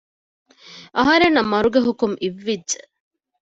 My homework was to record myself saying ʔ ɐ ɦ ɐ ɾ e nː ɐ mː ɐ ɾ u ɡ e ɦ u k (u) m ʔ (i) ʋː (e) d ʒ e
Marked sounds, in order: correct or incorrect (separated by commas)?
correct, correct, incorrect